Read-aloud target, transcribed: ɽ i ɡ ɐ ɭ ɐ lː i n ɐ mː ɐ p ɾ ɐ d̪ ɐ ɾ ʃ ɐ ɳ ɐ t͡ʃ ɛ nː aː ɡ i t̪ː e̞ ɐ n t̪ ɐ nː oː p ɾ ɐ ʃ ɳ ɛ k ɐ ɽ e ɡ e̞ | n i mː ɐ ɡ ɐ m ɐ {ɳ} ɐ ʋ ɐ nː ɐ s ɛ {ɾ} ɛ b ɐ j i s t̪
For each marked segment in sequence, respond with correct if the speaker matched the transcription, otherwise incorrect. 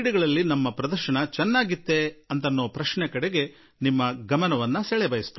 incorrect, incorrect

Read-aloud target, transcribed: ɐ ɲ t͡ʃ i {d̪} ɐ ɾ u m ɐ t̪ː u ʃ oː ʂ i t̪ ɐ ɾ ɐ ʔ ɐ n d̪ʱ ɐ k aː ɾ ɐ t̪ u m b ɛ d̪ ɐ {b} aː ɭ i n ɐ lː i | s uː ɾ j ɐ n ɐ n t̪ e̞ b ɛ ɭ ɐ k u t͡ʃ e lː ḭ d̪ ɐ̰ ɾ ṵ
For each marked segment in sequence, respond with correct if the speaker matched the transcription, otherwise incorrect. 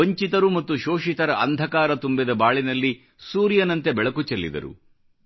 incorrect, correct

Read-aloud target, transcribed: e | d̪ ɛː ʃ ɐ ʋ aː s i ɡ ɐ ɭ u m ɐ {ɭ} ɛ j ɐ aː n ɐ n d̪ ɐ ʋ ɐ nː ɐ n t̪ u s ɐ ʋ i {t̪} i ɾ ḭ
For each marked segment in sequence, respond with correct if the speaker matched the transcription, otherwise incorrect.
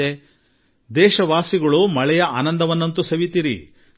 correct, correct

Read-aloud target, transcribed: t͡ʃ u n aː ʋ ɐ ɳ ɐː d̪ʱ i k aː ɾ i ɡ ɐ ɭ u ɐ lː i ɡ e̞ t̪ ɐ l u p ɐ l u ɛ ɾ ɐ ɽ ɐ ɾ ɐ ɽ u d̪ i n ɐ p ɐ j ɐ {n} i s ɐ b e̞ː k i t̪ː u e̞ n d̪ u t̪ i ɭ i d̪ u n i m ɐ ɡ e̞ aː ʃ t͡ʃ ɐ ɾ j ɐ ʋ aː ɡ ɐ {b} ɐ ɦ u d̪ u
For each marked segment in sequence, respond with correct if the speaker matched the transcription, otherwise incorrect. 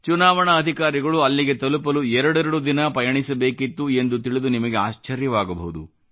incorrect, correct

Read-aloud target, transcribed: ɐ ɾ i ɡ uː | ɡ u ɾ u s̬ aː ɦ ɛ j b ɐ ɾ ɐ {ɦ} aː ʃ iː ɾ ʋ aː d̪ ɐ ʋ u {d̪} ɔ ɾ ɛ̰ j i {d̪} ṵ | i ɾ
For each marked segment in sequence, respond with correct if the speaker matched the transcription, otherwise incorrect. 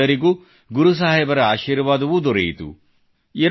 incorrect, correct, incorrect

